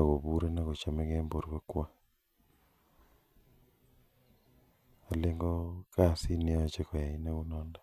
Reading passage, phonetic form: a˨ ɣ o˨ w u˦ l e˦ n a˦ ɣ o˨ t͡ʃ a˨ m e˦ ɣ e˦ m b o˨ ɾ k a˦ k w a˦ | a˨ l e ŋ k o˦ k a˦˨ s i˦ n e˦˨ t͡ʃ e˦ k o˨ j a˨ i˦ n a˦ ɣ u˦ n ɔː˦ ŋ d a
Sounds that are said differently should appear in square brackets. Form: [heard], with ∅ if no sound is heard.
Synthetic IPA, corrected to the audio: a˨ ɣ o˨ [β] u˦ [ɾ] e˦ n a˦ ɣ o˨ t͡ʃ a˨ m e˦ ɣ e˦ m b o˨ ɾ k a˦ k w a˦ | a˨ l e ŋ [ɡ] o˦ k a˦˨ s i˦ n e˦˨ t͡ʃ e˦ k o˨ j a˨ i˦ n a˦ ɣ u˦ n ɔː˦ [n] d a

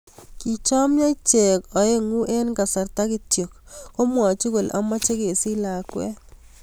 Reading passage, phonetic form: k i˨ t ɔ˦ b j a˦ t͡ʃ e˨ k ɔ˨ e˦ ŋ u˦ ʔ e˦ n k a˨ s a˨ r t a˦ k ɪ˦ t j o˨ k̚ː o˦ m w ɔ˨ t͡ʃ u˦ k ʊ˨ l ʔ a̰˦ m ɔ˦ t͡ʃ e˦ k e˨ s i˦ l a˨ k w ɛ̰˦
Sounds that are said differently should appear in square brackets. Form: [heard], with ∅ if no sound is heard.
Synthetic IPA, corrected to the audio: k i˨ [t͡ʃ] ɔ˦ [m] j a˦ t͡ʃ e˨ k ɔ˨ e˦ ŋ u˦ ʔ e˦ n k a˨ s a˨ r t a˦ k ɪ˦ t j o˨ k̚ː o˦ m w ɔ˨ t͡ʃ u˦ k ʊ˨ l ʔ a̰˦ m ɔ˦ t͡ʃ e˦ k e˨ s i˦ l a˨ k w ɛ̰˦

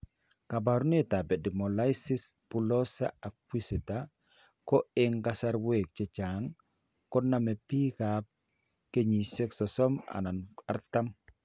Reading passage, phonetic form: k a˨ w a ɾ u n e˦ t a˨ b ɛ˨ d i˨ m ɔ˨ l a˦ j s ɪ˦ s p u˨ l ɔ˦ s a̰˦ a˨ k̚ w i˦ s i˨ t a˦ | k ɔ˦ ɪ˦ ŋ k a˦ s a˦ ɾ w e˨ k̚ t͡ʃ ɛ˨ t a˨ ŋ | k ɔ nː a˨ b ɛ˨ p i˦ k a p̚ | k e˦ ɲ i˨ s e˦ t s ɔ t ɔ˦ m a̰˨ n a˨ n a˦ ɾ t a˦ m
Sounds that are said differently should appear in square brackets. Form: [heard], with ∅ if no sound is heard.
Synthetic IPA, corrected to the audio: k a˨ [b] a ɾ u n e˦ t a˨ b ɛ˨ d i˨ m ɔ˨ l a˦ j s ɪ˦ s p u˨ l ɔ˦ s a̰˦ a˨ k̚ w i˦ s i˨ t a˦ | k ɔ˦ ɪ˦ ŋ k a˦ s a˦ ɾ w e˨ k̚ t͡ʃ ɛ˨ [t͡ʃ] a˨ ŋ | k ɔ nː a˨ [m] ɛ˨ p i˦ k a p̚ | k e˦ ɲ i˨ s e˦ [k] s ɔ [s] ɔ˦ m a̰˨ n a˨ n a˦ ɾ t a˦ m

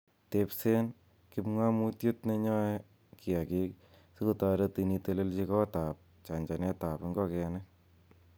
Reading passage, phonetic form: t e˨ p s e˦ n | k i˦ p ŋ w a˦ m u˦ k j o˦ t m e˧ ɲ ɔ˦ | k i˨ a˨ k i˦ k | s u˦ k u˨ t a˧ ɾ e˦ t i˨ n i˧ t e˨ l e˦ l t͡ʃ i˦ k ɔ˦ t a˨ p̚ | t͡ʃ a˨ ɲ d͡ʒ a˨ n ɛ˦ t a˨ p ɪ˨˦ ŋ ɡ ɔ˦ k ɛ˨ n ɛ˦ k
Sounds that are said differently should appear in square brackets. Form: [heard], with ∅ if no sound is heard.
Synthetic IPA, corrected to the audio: t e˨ p s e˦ n | k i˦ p ŋ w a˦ m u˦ [t] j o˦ t [n] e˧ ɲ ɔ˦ | k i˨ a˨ k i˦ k | s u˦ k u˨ t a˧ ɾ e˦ t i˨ n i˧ t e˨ l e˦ l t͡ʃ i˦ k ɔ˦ t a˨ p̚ | t͡ʃ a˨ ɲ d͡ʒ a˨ n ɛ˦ t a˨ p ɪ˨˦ ŋ ɡ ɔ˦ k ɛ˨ n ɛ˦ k

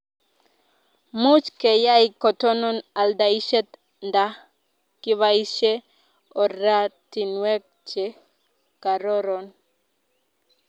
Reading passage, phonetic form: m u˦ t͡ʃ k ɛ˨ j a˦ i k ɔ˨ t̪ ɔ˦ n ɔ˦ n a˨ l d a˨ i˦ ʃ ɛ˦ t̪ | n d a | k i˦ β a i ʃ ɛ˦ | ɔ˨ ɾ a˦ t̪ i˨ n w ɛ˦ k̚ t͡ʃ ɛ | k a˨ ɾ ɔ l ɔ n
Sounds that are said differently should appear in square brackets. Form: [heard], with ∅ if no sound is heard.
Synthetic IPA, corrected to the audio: m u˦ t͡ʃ k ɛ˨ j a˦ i k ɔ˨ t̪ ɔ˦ n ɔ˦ n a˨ l d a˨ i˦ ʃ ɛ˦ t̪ | n d a | k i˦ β a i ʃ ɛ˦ | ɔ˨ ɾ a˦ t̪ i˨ n w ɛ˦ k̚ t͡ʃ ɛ | k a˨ ɾ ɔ [ɾ] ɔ n

